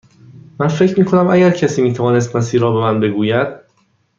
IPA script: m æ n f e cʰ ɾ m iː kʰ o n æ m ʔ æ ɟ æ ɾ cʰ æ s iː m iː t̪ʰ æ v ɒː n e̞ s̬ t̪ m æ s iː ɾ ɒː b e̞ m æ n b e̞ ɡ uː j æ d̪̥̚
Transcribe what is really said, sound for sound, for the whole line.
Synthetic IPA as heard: m æ n f e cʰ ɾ m iː kʰ o n æ m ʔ æ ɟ æ ɾ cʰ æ s iː m iː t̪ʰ æ v ɒː n e̞ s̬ t̪ m æ s iː ɾ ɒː b e̞ m æ n b e̞ ɡ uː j æ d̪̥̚